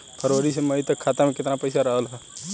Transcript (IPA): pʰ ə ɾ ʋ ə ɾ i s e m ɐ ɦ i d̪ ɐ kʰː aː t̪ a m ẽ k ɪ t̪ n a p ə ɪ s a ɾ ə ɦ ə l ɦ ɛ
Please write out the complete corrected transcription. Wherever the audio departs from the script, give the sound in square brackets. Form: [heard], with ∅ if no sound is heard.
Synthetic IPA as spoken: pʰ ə ɾ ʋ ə ɾ i s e m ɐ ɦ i [t̪] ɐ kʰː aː t̪ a m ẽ k ɪ t̪ n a p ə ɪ s a ɾ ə ɦ ə l ɦ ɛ